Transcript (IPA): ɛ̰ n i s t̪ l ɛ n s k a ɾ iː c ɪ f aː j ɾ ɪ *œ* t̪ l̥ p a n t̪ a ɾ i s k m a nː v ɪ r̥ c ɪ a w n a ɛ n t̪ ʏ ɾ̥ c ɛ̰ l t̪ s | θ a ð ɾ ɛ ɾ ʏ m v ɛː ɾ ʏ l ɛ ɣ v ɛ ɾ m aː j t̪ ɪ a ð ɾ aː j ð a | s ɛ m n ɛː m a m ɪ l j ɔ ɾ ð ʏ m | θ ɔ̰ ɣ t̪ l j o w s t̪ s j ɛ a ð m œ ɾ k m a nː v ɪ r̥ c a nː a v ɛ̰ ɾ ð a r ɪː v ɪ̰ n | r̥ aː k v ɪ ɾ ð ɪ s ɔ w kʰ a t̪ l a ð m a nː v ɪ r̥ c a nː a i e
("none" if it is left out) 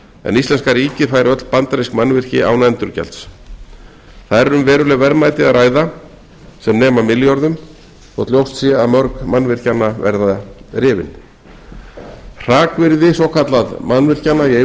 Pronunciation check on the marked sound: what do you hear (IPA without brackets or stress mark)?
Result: œ